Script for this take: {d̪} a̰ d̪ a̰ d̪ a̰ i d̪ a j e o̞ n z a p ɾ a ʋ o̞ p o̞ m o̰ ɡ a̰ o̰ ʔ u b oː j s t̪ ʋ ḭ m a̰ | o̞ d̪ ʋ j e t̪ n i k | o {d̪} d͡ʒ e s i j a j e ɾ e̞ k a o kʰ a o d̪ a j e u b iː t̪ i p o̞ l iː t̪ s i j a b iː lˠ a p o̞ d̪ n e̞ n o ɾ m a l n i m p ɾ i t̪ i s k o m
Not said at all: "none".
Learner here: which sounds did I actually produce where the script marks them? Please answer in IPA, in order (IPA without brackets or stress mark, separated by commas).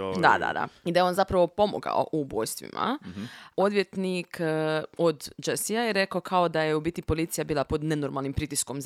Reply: d̪, d̪